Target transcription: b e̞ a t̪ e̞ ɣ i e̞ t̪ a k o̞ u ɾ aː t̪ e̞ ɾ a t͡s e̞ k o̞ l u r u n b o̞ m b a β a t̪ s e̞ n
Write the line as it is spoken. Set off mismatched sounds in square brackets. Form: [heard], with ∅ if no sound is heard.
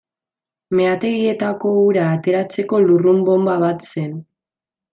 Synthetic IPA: [m] e̞ a t̪ e̞ ɣ i e̞ t̪ a k o̞ u ɾ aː t̪ e̞ ɾ a t͡s e̞ k o̞ l u r u [m] b o̞ m b a β a t̪ s e̞ n